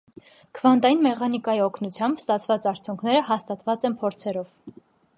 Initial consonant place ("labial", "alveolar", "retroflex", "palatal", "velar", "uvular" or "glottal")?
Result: velar